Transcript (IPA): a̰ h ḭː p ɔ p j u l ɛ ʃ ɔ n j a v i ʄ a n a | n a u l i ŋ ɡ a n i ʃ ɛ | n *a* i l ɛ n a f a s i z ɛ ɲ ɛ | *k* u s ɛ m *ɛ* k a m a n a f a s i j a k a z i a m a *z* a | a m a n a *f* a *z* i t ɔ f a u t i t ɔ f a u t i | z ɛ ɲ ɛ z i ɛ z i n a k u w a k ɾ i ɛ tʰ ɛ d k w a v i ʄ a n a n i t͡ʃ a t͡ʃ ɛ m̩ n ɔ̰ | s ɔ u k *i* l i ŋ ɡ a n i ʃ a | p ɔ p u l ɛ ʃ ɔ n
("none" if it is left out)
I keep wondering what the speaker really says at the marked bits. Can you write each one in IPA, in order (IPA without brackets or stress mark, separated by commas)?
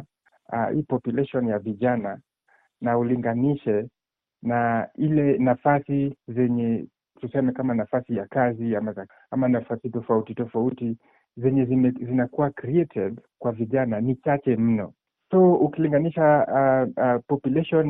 a, t, ɛ, z, f, s, i